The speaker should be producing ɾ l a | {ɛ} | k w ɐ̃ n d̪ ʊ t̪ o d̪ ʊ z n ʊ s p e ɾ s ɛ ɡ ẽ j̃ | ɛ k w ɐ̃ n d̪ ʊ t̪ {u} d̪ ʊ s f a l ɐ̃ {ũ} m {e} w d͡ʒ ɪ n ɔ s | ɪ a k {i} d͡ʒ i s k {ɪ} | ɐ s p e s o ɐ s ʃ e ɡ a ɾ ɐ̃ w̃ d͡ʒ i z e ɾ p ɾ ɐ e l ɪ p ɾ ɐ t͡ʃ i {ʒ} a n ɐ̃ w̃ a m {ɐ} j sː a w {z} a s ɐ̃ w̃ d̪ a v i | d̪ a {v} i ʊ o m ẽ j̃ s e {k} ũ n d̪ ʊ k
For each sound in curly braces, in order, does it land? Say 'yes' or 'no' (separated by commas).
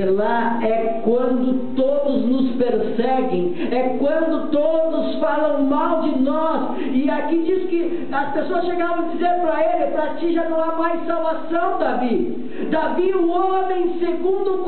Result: yes, no, no, no, yes, yes, yes, no, no, yes, no